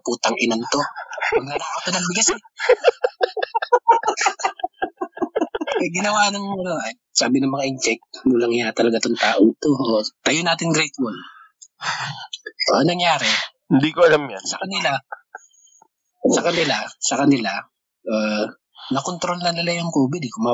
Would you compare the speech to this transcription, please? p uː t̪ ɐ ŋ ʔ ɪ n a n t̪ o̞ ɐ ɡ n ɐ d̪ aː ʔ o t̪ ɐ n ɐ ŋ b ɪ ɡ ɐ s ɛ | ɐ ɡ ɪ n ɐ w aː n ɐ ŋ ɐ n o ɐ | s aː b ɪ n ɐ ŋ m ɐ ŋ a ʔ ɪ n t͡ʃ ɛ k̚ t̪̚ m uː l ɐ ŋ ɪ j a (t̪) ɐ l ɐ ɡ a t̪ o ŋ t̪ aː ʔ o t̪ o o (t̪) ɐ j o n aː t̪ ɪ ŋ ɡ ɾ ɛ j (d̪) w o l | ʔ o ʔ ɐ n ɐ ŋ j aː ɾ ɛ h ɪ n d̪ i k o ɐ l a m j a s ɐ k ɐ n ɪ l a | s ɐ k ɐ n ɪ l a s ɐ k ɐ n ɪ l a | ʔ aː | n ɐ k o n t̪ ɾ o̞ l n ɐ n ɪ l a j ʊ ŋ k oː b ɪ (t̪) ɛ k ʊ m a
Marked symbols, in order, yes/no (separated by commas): yes, yes, no, no